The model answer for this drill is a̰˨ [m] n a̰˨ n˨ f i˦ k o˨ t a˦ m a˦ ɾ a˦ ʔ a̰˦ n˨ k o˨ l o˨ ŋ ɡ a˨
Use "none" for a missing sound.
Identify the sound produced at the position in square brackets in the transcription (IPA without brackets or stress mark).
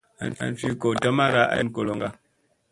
none